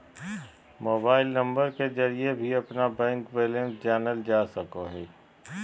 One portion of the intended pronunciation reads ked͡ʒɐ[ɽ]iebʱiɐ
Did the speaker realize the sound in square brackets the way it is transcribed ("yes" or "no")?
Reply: no